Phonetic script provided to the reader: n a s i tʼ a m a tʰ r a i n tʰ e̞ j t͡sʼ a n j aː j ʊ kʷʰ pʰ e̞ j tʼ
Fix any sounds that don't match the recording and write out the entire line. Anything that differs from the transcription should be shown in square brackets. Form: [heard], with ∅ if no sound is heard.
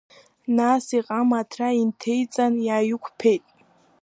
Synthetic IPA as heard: n a s i [qʼ] a m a tʰ r a i n tʰ e̞ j t͡sʼ a n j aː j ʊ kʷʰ pʰ e̞ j tʼ